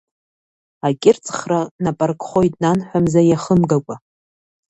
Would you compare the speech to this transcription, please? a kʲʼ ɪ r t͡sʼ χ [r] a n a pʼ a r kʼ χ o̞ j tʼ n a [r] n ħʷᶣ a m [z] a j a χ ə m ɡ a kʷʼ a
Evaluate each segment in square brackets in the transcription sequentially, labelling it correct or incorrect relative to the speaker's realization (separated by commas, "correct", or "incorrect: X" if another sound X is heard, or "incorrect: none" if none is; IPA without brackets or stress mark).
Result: correct, incorrect: none, correct